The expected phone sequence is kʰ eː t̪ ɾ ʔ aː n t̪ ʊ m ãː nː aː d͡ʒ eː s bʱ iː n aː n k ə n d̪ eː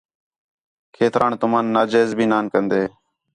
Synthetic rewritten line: kʰ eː t̪ ɾ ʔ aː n t̪ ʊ m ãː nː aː d͡ʒ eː z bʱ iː n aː n k ə n d̪ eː